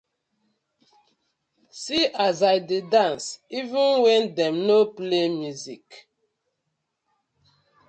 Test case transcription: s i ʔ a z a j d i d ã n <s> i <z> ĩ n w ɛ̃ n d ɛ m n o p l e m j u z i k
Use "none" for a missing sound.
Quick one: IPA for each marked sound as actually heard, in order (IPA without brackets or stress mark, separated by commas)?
s, v